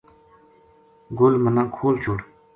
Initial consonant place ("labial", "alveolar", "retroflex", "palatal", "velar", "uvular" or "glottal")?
velar